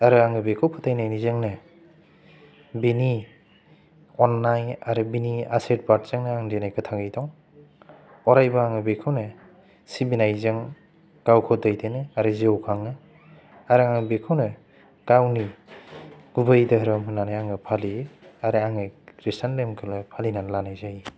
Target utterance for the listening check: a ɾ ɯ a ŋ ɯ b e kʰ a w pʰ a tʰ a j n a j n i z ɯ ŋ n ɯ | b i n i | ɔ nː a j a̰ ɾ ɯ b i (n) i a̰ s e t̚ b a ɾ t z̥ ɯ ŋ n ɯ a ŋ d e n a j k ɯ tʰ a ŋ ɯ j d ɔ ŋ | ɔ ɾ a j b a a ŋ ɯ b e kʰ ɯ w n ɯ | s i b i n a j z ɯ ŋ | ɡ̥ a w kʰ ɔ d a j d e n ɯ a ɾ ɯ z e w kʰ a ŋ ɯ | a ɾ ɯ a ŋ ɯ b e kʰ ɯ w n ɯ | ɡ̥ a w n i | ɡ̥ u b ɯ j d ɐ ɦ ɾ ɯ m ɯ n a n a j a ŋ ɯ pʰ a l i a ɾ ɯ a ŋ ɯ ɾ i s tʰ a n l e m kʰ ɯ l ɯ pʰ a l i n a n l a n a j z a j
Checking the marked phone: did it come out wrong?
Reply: no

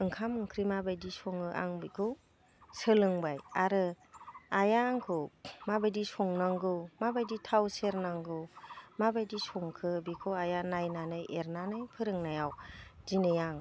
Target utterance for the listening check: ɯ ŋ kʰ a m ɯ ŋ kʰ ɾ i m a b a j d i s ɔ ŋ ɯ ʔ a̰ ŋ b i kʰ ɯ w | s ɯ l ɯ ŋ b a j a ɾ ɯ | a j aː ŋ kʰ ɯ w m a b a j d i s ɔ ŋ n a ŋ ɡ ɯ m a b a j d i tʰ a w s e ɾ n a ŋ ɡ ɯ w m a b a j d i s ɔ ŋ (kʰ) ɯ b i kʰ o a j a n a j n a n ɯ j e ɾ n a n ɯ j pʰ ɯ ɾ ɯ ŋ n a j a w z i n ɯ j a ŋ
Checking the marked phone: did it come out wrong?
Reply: no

